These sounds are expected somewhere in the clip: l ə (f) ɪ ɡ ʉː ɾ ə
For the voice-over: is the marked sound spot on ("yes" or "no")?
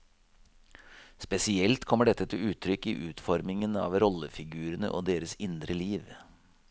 yes